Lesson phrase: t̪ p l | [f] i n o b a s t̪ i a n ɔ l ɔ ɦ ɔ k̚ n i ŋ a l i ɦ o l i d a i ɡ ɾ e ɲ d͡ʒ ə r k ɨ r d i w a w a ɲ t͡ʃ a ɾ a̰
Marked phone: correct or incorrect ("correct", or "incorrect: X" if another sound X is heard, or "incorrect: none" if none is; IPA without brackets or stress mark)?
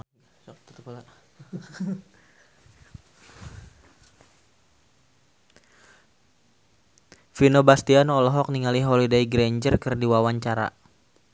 correct